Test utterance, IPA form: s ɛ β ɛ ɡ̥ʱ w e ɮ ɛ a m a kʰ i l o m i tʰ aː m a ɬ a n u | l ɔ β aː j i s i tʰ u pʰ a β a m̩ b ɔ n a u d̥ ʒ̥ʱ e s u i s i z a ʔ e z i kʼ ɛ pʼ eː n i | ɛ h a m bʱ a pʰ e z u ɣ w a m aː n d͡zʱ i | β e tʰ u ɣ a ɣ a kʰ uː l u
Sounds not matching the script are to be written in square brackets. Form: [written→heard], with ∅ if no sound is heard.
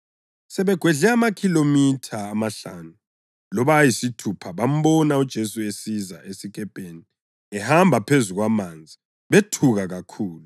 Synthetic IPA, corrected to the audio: s ɛ β ɛ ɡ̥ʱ w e ɮ ɛ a m a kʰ i l o m i tʰ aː m a ɬ a n u | l ɔ β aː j i s i tʰ u pʰ a β a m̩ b ɔ n a u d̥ ʒ̥ʱ e s u [i→e] s i z a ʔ e [z→s] i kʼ ɛ pʼ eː n i | ɛ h a m bʱ a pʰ e z u ɣ w a m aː n d͡zʱ i | β e tʰ u ɣ a ɣ a kʰ uː l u

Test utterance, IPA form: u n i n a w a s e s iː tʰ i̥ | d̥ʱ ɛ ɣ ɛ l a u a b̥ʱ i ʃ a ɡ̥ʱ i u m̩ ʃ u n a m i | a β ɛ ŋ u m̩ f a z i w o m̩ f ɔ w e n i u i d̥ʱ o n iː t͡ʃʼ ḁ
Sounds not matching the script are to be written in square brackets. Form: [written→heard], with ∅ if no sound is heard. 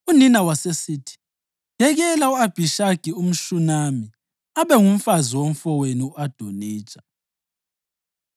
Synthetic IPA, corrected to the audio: u n i n a w a s e s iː tʰ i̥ | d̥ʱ ɛ ɣ ɛ l a u a b̥ʱ i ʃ a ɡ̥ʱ i u m̩ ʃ u n a m i | a β ɛ ŋ u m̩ f a z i w o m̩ f ɔ w e n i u [i→a] d̥ʱ o n iː t͡ʃʼ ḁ

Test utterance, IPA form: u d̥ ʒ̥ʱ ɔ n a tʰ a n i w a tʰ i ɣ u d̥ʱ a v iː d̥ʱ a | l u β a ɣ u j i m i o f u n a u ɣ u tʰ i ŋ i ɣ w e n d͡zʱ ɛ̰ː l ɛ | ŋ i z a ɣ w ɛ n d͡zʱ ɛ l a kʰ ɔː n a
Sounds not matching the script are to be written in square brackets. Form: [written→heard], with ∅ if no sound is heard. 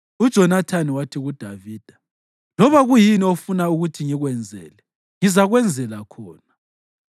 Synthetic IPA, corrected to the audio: u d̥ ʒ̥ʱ ɔ n a tʰ a n i w a tʰ i ɣ u d̥ʱ a v iː d̥ʱ a | l [u→ɔ] β a ɣ u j i [m→n] i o f u n a u ɣ u tʰ i ŋ i ɣ w [e→ɛ] n d͡zʱ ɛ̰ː l ɛ | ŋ i z a ɣ w ɛ n d͡zʱ ɛ l a kʰ ɔː n a

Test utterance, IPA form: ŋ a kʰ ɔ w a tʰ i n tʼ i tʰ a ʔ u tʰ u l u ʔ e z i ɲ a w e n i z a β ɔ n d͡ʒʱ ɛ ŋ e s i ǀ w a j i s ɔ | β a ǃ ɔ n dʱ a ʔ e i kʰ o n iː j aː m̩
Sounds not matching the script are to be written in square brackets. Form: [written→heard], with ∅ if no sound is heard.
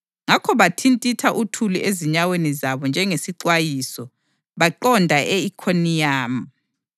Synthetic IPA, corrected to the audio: ŋ a kʰ ɔ [w→β] a tʰ i n tʼ i tʰ a ʔ u tʰ u l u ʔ e z i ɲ a w e n i z a β ɔ n d͡ʒʱ ɛ ŋ e s i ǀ w a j i s ɔ | β a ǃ ɔ n dʱ a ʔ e i kʰ o n [iː→i] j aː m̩

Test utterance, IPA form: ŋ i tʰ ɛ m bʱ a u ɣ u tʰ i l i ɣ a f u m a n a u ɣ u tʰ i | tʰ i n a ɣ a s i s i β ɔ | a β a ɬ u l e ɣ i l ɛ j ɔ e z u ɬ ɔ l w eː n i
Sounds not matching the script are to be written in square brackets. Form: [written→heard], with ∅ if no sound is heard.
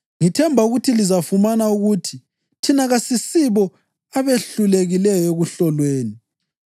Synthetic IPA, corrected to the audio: ŋ i tʰ ɛ m bʱ a u ɣ u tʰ i l i [ɣ→z] a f u m a n a u ɣ u tʰ i | tʰ i n a ɣ a s i s i β ɔ | a β [a→e] ɬ u l e ɣ i l ɛ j ɔ e [z→ɣ] u ɬ ɔ l w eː n i

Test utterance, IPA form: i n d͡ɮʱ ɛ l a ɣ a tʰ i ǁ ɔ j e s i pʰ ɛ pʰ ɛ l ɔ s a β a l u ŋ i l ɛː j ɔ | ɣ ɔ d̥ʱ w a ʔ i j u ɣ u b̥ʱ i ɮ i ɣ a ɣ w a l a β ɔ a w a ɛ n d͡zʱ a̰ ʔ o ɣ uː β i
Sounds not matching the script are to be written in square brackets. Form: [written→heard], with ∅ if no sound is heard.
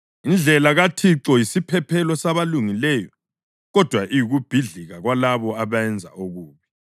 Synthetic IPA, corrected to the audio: i n d͡ɮʱ ɛ l a ɣ a tʰ i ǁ ɔ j [e→i] s i pʰ ɛ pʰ ɛ l ɔ s a β a l u ŋ i l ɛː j ɔ | ɣ ɔ d̥ʱ w a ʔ i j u ɣ u b̥ʱ i ɮ i ɣ a ɣ w a l a β ɔ a [w→β] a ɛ n d͡zʱ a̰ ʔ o ɣ uː β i

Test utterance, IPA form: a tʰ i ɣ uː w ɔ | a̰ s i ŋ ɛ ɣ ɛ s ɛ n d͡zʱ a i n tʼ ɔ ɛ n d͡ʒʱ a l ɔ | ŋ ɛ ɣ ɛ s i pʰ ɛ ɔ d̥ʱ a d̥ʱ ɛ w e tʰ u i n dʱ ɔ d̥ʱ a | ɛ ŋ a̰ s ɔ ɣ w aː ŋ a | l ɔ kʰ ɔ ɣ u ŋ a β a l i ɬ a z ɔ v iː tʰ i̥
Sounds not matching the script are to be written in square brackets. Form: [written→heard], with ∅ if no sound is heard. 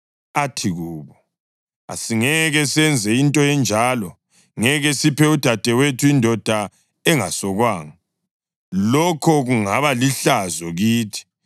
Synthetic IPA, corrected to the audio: a tʰ i ɣ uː [w→β] ɔ | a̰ s i ŋ ɛ ɣ ɛ s ɛ n d͡zʱ [a→ɛ] i n tʼ ɔ ɛ n d͡ʒʱ a l ɔ | ŋ ɛ ɣ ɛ s i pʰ ɛ [ɔ→u] d̥ʱ a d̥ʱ ɛ w e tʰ u i n dʱ ɔ d̥ʱ a | ɛ ŋ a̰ s ɔ ɣ w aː ŋ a | l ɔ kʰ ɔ ɣ u ŋ a β a l i ɬ a z ɔ [v→ɣ] iː tʰ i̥

